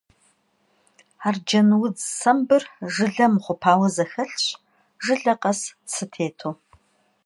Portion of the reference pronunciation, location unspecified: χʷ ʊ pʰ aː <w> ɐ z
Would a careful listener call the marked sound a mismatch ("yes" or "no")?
no